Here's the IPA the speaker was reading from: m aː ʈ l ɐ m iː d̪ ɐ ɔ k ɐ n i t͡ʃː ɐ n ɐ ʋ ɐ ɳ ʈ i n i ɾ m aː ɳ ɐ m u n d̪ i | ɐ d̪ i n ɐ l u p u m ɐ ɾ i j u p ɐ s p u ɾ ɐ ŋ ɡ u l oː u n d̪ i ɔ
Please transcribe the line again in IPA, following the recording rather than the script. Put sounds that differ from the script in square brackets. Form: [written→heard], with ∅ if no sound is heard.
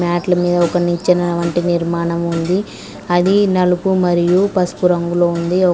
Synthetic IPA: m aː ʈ l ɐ m iː d̪ ɐ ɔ k ɐ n i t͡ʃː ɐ n ɐ ʋ ɐ ɳ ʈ i n i ɾ m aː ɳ ɐ m u n d̪ i | ɐ d̪ i n ɐ l u p u m ɐ ɾ i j u p ɐ s p u ɾ ɐ ŋ ɡ u l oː u n d̪ i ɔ